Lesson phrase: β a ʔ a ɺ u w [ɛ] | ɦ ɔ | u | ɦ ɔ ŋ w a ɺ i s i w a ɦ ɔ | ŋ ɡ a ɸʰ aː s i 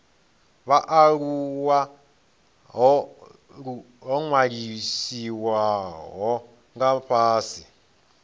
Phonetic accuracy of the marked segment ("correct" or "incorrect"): incorrect